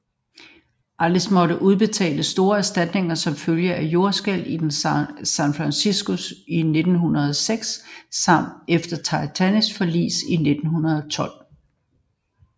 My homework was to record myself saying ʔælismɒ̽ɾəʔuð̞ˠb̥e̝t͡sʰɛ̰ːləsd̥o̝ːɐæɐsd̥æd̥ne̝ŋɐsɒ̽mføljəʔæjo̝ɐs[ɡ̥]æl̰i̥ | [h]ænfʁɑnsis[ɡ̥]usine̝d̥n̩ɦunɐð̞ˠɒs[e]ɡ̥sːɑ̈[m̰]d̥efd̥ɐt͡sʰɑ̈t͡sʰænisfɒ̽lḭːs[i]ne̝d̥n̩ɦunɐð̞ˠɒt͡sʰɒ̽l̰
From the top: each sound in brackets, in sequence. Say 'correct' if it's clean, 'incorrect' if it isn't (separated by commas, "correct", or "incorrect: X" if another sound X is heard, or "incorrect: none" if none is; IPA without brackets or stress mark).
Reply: correct, incorrect: s, correct, correct, correct, correct